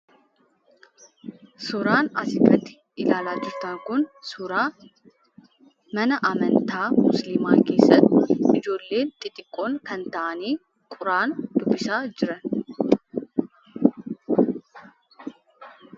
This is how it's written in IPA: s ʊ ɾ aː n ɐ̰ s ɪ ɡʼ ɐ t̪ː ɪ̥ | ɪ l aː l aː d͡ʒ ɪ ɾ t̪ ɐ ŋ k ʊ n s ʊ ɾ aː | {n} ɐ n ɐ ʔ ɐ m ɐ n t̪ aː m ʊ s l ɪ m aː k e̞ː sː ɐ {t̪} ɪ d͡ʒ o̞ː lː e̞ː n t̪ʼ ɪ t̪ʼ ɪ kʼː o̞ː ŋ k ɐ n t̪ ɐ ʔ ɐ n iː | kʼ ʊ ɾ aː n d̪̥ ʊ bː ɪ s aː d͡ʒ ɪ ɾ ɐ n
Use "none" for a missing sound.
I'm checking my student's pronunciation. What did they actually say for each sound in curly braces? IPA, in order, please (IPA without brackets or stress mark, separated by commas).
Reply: m, t̪